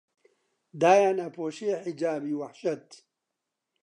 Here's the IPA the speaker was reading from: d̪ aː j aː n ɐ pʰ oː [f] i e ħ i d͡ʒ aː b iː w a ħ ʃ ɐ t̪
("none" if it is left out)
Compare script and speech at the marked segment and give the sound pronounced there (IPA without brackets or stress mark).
ʃ